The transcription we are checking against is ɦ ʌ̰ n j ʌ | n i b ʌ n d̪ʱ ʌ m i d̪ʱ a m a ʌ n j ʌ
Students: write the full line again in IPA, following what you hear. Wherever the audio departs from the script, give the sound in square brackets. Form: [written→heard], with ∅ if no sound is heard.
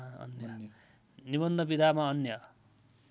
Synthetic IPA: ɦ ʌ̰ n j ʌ | n i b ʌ n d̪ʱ ʌ [m→b] i d̪ʱ a m a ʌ n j ʌ